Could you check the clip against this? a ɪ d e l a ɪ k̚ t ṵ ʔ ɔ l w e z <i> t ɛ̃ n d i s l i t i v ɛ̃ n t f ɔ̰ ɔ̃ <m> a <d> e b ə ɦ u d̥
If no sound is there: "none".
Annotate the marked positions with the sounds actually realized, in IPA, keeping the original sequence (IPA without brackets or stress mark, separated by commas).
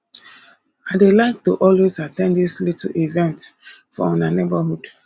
a, n, n